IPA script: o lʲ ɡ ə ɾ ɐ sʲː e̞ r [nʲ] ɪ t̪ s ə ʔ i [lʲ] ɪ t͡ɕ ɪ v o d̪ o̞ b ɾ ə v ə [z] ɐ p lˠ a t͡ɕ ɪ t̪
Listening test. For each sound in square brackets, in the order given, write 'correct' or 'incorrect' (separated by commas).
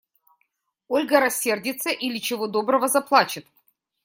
incorrect, correct, correct